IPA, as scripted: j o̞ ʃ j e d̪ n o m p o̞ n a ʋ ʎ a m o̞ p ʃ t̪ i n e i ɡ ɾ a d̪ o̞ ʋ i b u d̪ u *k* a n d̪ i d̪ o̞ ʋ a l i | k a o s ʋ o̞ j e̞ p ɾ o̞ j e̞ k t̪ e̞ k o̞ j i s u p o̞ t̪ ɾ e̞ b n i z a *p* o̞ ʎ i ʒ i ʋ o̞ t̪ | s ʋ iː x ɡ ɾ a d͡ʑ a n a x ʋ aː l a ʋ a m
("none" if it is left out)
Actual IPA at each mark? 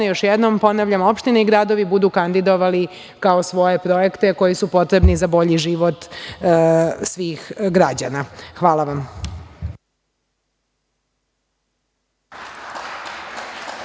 k, b

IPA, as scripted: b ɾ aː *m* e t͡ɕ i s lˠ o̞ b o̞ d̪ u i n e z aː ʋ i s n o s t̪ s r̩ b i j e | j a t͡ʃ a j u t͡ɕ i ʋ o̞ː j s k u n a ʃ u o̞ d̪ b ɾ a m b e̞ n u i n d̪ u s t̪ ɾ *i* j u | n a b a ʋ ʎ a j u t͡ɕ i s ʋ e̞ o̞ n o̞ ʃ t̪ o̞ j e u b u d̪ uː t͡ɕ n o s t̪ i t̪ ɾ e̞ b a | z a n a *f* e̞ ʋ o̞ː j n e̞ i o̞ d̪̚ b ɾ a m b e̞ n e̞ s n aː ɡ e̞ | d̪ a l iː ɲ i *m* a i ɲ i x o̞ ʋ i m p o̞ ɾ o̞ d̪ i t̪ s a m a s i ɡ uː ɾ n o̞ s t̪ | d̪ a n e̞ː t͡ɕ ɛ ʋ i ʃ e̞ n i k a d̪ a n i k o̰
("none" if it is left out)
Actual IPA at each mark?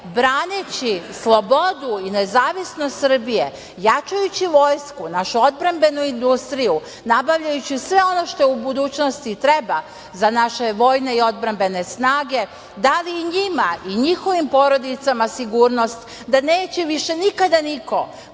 n, i, ʃ, m

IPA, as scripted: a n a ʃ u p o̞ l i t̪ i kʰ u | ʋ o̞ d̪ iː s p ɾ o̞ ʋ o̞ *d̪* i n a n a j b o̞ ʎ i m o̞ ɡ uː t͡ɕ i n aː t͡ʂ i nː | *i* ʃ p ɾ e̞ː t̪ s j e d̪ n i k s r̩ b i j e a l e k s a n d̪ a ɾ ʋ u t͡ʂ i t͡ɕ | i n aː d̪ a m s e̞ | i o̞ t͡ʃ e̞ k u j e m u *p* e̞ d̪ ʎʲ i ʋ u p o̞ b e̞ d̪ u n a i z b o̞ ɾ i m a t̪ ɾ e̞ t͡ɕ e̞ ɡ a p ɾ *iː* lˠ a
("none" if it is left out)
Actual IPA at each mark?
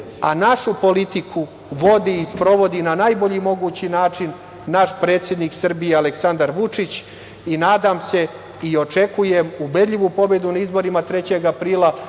d̪, a, b, iː

